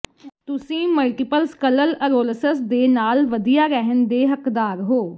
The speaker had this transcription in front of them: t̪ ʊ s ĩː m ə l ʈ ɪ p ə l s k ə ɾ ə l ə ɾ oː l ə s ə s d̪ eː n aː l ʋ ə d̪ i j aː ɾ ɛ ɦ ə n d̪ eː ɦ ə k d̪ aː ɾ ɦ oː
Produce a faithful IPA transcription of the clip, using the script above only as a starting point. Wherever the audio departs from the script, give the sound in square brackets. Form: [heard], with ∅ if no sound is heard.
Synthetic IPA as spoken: t̪ ʊ s ĩː m ə l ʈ ɪ p ə l s k ə [l] ə l ə ɾ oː l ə s ə s d̪ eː n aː l ʋ ə d̪ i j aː ɾ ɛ ɦ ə n d̪ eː ɦ ə k d̪ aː ɾ ɦ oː